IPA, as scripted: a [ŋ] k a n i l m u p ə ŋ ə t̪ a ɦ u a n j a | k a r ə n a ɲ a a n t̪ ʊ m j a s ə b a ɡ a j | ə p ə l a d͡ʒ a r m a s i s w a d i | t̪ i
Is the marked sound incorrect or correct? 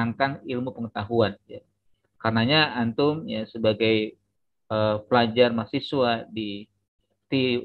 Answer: correct